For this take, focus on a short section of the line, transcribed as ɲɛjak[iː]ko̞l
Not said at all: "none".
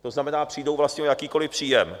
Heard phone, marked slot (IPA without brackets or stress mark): iː